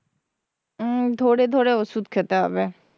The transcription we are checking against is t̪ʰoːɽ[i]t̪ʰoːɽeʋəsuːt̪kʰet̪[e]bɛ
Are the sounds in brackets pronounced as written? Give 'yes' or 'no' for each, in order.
no, no

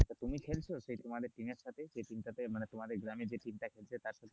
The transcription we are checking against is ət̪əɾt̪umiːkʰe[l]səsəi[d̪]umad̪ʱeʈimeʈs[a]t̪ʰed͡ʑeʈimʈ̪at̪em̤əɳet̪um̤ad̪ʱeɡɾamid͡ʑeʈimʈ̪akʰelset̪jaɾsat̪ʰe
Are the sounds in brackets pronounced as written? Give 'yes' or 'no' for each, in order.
yes, no, yes

